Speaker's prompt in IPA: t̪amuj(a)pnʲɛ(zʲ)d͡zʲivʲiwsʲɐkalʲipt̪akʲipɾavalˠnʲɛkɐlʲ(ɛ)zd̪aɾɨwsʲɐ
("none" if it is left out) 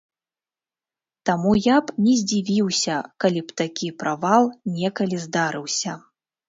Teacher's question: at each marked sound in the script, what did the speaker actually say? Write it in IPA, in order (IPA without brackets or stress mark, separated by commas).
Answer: a, zʲ, i